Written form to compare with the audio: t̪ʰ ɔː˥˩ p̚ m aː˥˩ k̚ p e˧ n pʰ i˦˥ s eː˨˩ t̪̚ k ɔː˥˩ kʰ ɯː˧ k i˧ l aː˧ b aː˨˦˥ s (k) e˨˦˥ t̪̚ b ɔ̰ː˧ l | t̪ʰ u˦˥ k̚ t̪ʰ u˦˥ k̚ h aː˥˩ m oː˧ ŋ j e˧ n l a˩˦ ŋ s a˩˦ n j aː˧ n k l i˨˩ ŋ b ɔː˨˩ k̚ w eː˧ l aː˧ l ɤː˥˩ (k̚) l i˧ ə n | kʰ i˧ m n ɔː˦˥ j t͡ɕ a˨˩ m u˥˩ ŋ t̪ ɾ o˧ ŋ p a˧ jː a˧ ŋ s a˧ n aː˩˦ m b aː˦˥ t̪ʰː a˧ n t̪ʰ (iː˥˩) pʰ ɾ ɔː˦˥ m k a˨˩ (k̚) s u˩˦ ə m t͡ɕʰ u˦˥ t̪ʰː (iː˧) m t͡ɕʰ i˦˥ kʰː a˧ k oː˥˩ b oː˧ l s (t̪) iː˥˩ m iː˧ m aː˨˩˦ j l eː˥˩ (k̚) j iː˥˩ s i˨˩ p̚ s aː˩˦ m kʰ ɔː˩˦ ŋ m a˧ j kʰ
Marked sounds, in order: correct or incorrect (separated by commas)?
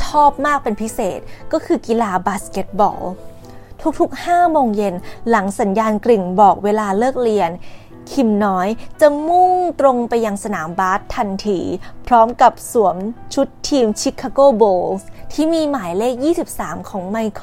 correct, correct, incorrect, incorrect, correct, incorrect, correct